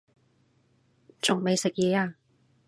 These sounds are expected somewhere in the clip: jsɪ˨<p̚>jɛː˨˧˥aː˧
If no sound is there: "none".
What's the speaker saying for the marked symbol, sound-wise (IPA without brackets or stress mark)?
k̚